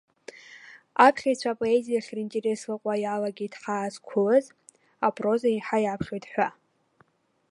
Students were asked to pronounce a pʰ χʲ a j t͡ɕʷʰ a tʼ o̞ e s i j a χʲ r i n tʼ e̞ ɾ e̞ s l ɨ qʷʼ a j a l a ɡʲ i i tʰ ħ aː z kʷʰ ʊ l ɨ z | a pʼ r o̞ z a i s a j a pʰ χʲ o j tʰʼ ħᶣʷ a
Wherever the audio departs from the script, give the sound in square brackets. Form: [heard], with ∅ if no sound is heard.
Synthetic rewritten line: a pʰ χʲ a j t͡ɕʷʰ a [pʼ] o̞ e [z] i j a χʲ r i n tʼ e̞ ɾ e̞ s l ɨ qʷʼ a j a l a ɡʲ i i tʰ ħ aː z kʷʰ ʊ l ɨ z | a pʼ r o̞ z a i [ħ] a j a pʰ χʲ o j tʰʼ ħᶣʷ a